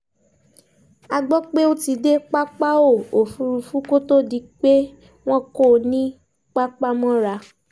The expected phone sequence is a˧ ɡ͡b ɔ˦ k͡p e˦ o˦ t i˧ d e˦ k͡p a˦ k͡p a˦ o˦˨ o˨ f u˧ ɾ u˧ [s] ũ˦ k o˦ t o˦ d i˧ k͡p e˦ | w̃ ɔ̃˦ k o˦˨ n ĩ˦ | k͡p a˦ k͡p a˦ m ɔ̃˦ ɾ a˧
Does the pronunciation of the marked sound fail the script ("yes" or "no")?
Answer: yes